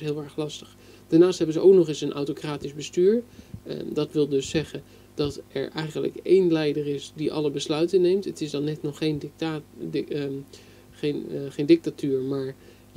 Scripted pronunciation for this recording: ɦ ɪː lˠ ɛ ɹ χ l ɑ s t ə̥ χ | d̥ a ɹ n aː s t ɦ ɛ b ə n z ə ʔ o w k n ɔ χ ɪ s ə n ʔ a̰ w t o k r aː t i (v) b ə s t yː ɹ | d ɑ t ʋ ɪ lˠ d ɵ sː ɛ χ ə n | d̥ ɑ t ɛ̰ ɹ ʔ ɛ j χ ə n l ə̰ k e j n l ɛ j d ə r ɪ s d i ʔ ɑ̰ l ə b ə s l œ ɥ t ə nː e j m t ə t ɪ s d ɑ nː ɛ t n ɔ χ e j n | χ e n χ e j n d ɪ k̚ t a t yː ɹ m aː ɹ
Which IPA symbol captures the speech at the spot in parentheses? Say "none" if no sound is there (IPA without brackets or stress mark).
z